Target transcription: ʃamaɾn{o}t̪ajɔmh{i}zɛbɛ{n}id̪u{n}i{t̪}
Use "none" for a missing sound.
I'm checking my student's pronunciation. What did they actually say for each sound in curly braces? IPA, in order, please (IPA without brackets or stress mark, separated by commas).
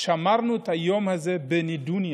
u, a, n, n, none